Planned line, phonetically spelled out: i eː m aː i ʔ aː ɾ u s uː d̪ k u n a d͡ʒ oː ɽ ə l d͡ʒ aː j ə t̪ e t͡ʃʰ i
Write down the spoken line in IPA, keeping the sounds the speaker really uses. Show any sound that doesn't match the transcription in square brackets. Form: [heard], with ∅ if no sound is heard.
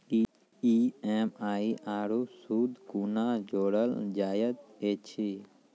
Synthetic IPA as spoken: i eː m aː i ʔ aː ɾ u s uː d̪ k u n a d͡ʒ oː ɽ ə l d͡ʒ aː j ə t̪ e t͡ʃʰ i